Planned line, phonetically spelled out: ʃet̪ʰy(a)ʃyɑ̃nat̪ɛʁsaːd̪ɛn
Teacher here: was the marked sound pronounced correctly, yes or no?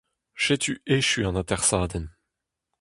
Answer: no